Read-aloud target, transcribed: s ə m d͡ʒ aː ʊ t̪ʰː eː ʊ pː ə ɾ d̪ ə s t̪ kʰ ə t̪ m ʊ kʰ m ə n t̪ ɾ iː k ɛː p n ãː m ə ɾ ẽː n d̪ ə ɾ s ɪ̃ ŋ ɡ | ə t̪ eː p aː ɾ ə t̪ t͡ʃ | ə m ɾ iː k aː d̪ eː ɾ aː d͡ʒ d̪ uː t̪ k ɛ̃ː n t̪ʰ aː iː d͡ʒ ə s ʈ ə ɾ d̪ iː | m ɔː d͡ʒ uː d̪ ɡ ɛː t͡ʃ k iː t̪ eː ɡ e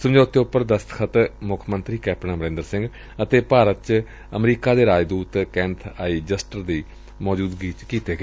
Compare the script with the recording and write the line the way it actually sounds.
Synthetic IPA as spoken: s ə m d͡ʒ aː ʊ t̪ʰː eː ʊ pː ə ɾ d̪ ə s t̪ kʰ ə t̪ m ʊ kʰ m ə n t̪ ɾ iː k ɛː p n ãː m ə ɾ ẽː n d̪ ə ɾ s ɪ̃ ŋ ɡ | ə t̪ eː p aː ɾ ə t̪ t͡ʃ | ə m ɾ iː k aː d̪ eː ɾ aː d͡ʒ d̪ uː t̪ k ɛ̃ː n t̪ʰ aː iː d͡ʒ ə s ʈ ə ɾ d̪ iː | m ɔː d͡ʒ uː d̪ ɡ iː t͡ʃ k iː t̪ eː ɡ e

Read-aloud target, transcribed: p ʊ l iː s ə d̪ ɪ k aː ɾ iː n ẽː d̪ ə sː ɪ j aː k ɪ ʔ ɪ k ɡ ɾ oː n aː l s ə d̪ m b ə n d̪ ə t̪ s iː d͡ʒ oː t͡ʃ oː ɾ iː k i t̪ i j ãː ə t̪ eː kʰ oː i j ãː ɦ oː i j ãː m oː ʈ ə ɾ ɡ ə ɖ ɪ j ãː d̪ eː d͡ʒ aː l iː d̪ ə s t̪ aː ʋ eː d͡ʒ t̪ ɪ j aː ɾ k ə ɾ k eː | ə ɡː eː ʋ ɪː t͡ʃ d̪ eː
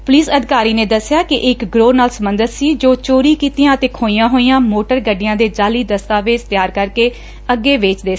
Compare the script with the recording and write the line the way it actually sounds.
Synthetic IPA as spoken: p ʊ l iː s ə d̪ ɪ k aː ɾ iː n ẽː d̪ ə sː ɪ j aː k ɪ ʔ ɪ k ɡ ɾ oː n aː l s ə m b ə n d̪ ə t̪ s iː d͡ʒ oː t͡ʃ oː ɾ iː k iː t̪ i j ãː ə t̪ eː kʰ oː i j ãː ɦ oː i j ãː m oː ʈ ə ɾ ɡ ə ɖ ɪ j ãː d̪ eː d͡ʒ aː l iː d̪ ə s t̪ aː ʋ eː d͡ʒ t̪ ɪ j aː ɾ k ə ɾ k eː | ə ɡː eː ʋ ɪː t͡ʃ d̪ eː

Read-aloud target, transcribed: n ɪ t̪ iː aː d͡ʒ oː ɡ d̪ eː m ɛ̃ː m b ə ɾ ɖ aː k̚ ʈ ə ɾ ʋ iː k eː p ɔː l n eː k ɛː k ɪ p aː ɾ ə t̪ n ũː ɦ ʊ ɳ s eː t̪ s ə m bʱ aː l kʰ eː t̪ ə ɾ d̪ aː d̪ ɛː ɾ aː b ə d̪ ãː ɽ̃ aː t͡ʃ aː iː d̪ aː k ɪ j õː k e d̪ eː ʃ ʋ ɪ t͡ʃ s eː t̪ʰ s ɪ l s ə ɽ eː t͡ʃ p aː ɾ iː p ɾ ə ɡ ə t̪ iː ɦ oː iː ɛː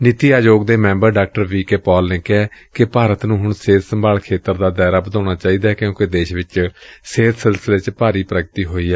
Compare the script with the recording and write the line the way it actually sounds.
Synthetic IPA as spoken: n ɪ t̪ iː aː d͡ʒ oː ɡ d̪ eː m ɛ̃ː m b ə ɾ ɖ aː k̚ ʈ ə ɾ ʋ iː k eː p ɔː l n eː k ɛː k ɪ p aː ɾ ə t̪ n ũː ɦ ʊ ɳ s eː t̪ s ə m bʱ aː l kʰ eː t̪ ə ɾ d̪ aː d̪ ɛː ɾ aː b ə d̪ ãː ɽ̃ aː t͡ʃ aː iː d̪ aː k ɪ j õː k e d̪ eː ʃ ʋ ɪ t͡ʃ s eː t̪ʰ s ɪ l s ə l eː t͡ʃ p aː ɾ iː p ɾ ə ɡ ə t̪ iː ɦ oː iː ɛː

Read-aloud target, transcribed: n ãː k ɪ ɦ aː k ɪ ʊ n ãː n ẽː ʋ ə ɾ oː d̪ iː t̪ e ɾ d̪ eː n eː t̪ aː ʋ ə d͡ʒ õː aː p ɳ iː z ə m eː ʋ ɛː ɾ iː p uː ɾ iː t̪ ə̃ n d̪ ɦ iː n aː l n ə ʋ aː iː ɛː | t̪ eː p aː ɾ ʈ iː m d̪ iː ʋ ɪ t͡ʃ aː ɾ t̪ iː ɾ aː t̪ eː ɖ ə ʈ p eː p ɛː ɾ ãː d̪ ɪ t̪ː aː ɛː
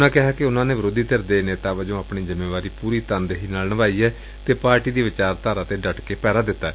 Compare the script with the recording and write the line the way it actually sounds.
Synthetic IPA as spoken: n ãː k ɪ ɦ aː k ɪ ʊ n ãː n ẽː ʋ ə ɾ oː d̪ iː t̪ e ɾ d̪ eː n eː t̪ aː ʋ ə d͡ʒ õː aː p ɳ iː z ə m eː ʋ aː ɾ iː p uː ɾ iː t̪ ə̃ n d̪ ɦ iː n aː l n ə ʋ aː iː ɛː | t̪ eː p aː ɾ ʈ iː d̪ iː ʋ ɪ t͡ʃ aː ɾ t̪ aː ɾ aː t̪ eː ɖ ə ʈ k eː p ɛː ɾ aː d̪ ɪ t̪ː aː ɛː

